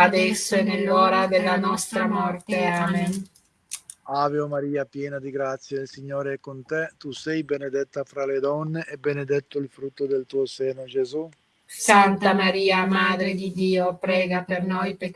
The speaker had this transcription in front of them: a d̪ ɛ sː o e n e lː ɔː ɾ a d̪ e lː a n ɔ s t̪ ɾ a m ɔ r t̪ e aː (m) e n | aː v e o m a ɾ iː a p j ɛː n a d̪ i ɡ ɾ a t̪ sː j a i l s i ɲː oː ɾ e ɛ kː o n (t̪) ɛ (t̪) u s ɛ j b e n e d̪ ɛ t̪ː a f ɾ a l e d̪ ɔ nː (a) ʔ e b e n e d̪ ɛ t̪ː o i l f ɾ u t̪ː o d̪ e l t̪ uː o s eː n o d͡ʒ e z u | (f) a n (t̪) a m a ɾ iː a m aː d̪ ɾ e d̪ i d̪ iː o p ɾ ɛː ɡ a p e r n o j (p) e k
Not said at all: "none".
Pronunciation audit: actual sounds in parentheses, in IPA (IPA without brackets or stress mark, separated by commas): m, t̪, t̪, e, s, t̪, p